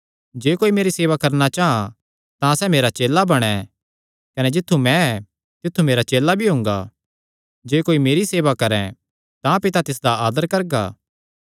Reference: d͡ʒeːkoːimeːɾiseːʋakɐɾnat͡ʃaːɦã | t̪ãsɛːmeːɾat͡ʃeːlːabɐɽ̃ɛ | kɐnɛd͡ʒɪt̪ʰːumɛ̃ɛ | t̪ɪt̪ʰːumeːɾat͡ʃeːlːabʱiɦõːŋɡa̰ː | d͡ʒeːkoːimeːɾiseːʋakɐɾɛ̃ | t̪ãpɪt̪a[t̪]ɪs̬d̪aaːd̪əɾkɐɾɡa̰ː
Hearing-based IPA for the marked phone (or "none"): t̪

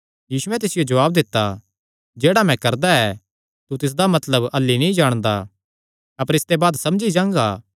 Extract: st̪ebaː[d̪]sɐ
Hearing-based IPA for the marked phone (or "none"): d̪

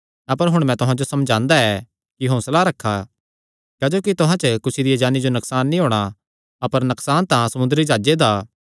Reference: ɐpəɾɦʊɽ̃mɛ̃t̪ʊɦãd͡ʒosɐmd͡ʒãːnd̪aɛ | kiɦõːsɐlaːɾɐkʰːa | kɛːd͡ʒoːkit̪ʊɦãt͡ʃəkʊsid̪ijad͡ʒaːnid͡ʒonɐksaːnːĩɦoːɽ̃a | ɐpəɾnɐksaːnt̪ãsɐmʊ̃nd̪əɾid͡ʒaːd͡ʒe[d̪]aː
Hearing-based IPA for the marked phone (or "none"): d̪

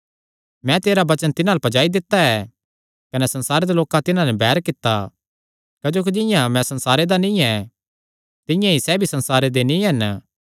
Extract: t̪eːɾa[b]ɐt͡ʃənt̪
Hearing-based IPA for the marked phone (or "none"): b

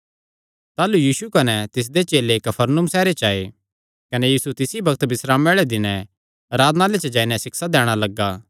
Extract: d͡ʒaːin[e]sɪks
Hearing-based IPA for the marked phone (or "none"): ɛ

